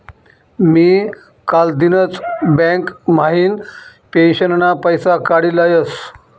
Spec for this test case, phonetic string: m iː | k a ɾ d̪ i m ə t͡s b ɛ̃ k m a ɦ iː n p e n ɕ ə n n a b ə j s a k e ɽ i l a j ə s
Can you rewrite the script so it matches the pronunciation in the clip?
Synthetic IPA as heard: m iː | k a l d̪ i n ə t͡s b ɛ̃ k m a ɦ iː n p e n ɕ ə n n a p ə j s a k a ɽ i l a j ə s